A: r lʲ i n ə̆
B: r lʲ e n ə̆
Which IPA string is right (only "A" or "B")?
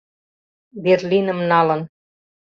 A